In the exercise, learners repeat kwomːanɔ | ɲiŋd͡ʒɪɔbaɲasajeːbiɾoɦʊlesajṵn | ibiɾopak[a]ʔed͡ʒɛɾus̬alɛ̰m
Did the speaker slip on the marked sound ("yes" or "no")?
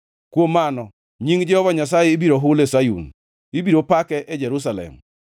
yes